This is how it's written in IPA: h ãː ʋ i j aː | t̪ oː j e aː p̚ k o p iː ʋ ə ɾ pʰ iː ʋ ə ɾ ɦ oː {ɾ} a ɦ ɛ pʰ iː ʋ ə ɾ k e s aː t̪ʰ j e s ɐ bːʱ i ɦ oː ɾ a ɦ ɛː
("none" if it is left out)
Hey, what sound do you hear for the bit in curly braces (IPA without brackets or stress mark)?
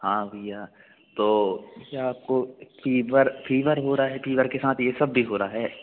ɾ